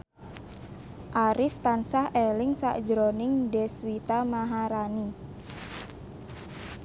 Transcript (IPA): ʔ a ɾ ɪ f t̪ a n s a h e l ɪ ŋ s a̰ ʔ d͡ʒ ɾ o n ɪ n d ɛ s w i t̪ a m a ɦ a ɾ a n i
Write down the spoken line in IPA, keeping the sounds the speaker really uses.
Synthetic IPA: ʔ a ɾ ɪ f t̪ a n s a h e l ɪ ŋ s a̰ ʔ d͡ʒ ɾ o n ɪ ŋ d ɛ s w i t̪ a m a ɦ a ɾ a n i